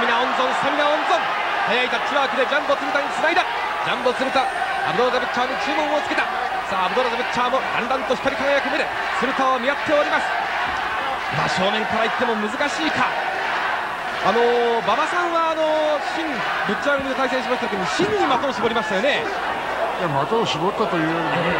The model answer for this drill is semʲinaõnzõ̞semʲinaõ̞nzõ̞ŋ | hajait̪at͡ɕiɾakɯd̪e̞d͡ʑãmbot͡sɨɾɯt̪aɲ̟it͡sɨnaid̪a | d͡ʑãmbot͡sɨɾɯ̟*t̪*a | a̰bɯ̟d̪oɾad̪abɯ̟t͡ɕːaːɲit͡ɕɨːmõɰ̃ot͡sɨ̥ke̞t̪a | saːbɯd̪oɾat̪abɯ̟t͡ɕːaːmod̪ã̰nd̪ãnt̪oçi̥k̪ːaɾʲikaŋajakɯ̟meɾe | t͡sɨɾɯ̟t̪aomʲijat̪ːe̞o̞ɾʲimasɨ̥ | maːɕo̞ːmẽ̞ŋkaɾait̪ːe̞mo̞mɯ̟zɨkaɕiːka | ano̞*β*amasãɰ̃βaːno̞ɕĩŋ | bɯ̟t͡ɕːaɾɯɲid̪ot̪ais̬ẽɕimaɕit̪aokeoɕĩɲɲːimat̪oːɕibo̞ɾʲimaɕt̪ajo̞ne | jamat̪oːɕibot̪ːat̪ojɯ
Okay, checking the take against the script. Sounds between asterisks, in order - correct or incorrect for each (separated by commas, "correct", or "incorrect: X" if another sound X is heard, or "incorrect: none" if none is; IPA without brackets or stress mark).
correct, incorrect: b